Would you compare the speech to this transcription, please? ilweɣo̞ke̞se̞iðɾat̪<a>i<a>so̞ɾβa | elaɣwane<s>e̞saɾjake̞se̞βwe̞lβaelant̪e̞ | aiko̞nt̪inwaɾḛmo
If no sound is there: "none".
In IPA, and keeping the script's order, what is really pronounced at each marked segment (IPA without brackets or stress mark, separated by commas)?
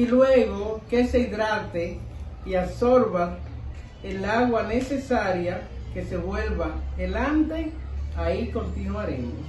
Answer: e, a, s